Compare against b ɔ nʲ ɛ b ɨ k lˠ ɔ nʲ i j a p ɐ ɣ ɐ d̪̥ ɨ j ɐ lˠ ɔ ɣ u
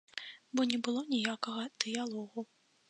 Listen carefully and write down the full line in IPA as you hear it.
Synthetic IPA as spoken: b ɔ nʲ ɛ b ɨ lˠ ɔ nʲ i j a k ɐ ɣ ɐ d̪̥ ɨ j a lˠ ɔ ɣ u